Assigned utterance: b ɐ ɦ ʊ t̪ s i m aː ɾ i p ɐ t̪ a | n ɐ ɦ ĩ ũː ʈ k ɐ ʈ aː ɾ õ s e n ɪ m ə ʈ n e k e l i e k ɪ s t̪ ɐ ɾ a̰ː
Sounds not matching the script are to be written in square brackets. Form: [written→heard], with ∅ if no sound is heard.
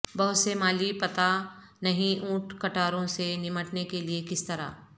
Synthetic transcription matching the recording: b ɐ ɦ ʊ t̪ s [i→e] m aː [ɾ→l] i p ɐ t̪ a | n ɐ ɦ ĩ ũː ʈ k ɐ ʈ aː ɾ õ s e n ɪ m ə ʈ n e k e l i e k ɪ s t̪ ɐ ɾ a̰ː